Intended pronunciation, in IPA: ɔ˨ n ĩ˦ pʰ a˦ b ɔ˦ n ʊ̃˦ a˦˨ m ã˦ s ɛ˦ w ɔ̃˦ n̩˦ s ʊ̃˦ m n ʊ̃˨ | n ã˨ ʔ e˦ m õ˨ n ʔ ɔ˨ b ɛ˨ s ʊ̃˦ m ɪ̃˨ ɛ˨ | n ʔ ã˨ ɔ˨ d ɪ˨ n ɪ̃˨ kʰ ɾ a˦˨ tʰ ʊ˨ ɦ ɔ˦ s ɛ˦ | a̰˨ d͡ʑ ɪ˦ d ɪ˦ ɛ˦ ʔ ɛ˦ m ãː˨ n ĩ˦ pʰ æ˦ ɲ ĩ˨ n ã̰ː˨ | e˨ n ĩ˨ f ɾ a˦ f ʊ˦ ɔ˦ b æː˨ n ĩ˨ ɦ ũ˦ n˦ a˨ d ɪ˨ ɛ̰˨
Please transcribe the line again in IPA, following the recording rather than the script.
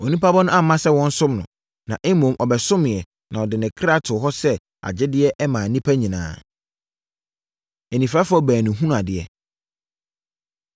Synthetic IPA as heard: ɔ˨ n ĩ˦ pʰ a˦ b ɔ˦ n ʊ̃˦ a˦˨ m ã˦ s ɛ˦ w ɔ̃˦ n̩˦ s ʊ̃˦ m n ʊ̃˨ | n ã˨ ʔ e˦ m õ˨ m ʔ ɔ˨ b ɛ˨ s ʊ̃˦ m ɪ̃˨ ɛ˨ | n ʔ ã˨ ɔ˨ d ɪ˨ n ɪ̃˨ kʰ ɾ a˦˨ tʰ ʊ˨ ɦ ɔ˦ s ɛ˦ | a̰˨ d͡ʑ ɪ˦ d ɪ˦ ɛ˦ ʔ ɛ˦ m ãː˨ n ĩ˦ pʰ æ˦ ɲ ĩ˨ n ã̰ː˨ | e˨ n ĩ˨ f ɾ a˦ f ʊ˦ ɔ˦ b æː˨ n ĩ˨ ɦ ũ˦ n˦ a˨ d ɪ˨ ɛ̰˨

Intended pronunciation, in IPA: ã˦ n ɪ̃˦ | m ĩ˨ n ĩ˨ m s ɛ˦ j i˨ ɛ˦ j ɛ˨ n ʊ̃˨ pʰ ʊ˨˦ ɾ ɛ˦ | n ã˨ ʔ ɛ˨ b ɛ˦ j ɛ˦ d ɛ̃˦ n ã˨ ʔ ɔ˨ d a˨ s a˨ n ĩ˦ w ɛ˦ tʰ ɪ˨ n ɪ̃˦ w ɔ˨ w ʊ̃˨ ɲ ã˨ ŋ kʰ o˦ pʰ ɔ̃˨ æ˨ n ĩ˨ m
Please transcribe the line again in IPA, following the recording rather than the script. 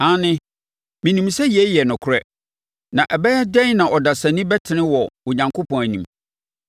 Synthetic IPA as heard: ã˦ n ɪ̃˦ | m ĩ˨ n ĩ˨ m s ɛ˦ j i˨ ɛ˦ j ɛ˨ n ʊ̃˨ kʰ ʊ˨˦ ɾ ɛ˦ | n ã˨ ʔ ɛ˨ b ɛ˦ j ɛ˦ d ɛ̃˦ n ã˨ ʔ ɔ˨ d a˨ s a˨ n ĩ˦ b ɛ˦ tʰ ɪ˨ n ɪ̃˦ w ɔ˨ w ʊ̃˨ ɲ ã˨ ŋ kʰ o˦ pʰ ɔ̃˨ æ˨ n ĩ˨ m

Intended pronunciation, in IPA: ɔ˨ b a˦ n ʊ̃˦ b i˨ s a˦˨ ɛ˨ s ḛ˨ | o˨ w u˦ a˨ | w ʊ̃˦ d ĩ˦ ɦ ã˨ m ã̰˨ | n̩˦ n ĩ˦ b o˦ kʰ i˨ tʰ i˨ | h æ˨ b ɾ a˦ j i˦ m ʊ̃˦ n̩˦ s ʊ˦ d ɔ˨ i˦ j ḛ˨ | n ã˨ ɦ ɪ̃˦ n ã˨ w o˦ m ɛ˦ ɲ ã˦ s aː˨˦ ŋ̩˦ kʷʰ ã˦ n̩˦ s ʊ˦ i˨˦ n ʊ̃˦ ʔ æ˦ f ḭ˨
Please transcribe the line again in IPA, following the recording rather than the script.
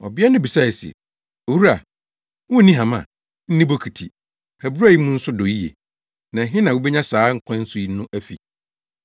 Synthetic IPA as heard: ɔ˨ b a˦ n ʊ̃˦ b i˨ s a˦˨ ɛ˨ s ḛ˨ | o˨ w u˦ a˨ | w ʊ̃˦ n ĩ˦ ɦ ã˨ m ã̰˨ | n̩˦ n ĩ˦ b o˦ kʰ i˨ tʰ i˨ | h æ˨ b ɾ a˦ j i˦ m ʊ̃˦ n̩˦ s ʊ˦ d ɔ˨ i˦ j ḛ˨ | n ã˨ ɦ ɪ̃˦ n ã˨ w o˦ b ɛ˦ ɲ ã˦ s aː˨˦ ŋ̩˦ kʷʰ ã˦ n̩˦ s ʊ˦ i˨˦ n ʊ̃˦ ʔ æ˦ f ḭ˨

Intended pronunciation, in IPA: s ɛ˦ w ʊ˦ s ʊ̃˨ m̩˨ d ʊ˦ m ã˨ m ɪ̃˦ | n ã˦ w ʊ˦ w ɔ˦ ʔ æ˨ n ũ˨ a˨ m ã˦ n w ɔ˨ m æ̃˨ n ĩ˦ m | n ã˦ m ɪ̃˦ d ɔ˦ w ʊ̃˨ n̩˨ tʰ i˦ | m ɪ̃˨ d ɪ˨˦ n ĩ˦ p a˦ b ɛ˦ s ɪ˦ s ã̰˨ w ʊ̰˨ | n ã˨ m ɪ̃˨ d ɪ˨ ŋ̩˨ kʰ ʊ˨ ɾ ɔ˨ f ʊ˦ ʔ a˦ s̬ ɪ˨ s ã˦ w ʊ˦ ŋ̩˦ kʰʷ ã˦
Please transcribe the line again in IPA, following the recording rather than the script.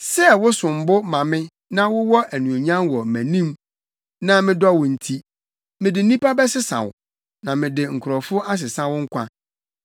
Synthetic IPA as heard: s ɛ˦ w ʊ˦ s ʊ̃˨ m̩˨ b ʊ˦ m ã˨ m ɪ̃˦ | n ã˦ w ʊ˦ w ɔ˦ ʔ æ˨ n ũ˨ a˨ ɲ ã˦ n w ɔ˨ m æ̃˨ n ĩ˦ m | n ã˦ m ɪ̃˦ d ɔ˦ w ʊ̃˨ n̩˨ tʰ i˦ | m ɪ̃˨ d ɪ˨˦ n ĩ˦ p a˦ b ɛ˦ s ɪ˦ s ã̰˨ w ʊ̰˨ | n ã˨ m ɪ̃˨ d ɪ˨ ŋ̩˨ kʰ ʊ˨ ɾ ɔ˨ f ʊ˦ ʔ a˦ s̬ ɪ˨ s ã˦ w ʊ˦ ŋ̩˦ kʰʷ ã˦

